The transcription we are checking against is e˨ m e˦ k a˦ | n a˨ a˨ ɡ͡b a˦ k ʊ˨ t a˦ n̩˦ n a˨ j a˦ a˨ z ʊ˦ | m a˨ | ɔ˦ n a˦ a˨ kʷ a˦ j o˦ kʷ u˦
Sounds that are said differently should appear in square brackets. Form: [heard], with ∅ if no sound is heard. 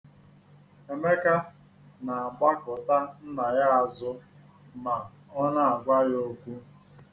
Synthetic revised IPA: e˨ m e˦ k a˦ | n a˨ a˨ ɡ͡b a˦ k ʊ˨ t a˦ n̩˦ n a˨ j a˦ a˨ z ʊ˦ | m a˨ | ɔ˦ n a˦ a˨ [ɡʷ] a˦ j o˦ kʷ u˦